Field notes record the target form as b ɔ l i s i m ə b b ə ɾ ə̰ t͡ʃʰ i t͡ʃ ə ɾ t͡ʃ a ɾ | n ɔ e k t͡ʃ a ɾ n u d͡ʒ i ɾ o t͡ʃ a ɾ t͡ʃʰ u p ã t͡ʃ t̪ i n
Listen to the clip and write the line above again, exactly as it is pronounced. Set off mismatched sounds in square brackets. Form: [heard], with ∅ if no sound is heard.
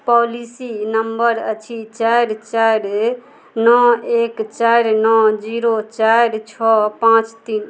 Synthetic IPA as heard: [p] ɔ l i s i [n] ə [m] b ə ɾ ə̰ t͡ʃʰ i t͡ʃ [a] ɾ t͡ʃ a ɾ | n ɔ e k t͡ʃ a ɾ n [ɔ] d͡ʒ i ɾ o t͡ʃ a ɾ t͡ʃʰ [ɔ] p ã t͡ʃ t̪ i n